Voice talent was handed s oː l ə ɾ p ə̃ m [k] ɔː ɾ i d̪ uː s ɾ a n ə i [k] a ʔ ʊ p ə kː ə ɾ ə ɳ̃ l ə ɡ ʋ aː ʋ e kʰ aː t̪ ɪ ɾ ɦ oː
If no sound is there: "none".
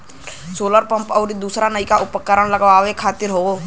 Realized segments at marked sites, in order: p, k

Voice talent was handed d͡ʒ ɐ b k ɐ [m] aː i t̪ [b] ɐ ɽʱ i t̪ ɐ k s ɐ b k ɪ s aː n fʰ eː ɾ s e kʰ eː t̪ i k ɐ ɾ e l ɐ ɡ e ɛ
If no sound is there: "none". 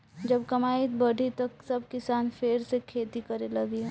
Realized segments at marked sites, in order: m, b

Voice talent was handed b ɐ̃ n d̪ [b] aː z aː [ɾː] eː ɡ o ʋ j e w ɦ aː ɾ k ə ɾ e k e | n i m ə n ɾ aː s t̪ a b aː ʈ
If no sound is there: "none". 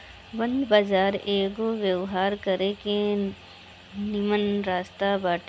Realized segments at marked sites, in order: b, ɾ

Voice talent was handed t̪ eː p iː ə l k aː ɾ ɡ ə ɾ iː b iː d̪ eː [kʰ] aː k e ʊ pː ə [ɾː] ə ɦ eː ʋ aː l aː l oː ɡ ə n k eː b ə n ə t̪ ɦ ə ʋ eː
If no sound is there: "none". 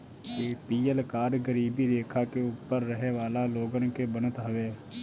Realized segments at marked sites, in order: kʰ, ɾː

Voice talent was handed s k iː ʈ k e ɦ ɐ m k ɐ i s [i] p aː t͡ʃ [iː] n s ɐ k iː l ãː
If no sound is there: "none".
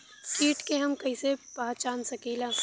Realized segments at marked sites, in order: e, aː

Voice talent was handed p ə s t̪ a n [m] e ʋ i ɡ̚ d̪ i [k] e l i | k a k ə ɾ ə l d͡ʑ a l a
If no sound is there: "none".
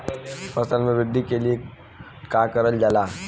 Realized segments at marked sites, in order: m, k

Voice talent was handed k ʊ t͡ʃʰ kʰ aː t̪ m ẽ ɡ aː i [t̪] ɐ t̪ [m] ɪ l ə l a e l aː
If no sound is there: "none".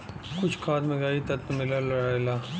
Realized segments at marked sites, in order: t̪, m

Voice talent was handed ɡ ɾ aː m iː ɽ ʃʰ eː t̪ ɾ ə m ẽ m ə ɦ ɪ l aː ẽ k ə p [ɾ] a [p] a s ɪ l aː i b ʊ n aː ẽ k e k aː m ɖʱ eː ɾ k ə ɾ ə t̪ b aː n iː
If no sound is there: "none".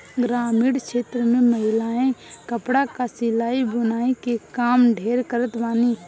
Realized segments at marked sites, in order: ɽ, k

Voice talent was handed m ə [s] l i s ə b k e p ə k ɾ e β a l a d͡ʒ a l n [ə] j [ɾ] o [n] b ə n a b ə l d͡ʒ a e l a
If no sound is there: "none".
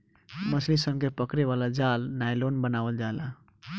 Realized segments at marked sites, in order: s, a, l, n

